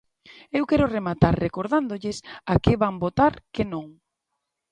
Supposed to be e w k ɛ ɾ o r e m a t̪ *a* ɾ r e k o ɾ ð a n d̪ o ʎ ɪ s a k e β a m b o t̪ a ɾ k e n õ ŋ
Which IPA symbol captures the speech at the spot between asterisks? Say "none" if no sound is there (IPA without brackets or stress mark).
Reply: a